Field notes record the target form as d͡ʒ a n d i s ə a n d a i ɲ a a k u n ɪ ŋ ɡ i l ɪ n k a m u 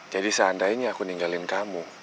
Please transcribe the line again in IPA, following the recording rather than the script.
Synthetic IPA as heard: d͡ʒ a d i s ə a n d a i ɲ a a k u n i ŋ ɡ a l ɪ n k a m u